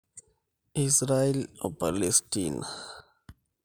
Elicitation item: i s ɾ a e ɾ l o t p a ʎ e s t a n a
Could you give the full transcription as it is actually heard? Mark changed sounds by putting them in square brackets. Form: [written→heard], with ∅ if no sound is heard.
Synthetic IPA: i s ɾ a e [ɾ→∅] l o [t→∅] p a [ʎ→l] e s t [a→i] n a